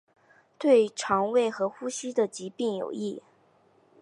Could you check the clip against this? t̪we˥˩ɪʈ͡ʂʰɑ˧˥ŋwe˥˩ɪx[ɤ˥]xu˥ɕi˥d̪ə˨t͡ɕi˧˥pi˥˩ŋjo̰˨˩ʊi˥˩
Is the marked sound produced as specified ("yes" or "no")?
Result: no